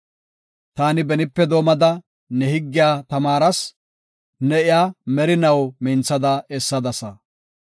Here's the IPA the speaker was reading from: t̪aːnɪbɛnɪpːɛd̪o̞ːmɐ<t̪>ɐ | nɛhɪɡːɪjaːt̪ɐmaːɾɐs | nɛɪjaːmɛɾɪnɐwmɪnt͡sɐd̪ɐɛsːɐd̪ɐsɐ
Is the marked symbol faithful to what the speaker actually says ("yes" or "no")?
no